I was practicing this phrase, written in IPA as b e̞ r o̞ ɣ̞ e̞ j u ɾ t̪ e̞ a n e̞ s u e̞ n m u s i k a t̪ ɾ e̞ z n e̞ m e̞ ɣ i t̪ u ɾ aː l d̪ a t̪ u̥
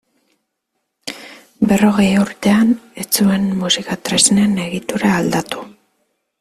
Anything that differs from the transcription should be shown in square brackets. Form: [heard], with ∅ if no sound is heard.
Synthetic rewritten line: b e̞ r o̞ ɣ̞ e̞ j u ɾ t̪ e̞ a n e̞ [t͡s] u e̞ n m u s i k a t̪ ɾ e̞ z n e̞ [n] e̞ ɣ i t̪ u ɾ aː l d̪ a t̪ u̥